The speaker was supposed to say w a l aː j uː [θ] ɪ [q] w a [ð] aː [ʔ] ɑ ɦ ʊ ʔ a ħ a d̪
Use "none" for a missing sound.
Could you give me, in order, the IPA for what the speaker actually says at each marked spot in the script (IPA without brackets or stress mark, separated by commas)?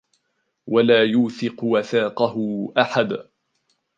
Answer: θ, q, θ, q